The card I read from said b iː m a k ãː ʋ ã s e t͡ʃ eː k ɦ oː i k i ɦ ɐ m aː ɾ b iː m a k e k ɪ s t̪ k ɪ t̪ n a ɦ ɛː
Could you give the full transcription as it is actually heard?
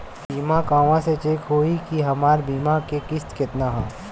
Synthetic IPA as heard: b iː m a k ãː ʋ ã s e t͡ʃ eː k ɦ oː i k i ɦ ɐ m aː ɾ b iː m a k e k ɪ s t̪ k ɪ t̪ n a ɦ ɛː